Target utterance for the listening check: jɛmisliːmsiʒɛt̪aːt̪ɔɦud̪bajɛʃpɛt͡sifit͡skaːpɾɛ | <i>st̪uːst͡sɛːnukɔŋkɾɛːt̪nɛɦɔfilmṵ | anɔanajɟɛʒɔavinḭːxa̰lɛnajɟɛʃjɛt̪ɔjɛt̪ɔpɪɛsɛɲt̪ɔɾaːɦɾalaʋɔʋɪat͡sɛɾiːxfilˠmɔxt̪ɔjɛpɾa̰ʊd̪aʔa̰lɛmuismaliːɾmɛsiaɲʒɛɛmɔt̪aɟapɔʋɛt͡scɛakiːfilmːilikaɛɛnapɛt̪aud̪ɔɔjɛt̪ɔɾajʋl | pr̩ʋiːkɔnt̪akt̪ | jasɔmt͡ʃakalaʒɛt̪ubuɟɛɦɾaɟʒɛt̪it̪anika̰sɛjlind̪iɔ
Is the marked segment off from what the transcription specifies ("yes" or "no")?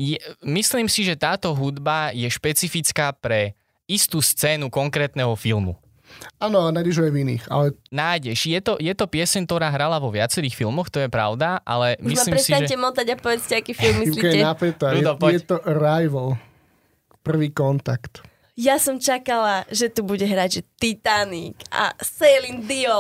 no